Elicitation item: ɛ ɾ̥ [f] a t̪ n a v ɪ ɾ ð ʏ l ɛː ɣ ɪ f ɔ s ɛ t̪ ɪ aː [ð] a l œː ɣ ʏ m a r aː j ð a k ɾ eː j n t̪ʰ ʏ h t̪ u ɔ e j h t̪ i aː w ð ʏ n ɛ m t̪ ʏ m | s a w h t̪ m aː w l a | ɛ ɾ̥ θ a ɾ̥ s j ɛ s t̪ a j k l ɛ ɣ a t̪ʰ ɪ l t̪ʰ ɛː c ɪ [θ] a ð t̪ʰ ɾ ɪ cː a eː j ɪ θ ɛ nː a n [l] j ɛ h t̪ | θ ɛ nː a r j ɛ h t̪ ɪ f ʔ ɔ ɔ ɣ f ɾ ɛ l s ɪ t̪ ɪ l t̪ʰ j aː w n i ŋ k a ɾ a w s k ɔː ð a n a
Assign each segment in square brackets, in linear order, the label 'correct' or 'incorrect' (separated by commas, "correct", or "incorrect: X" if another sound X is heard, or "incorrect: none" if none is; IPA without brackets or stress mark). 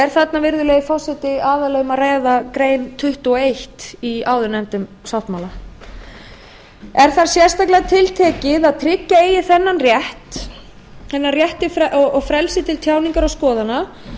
incorrect: θ, correct, incorrect: ð, incorrect: r